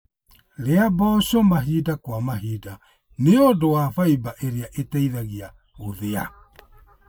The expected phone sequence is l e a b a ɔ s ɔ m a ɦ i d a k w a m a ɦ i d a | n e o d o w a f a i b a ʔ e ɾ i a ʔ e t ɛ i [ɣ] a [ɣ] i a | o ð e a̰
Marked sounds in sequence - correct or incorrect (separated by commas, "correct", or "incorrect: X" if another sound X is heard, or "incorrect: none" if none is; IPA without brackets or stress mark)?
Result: incorrect: ð, correct